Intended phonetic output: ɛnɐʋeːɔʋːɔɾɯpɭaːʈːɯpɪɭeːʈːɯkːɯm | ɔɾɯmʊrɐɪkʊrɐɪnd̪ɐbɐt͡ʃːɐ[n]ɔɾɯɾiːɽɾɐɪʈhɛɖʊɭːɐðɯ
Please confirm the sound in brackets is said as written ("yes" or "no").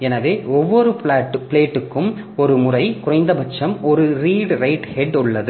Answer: no